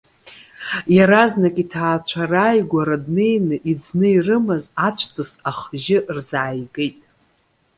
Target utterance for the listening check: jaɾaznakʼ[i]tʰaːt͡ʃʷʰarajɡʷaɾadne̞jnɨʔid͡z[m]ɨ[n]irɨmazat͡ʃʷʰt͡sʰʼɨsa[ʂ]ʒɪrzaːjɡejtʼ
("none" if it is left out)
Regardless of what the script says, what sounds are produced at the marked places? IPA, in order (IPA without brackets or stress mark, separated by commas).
i, n, none, χ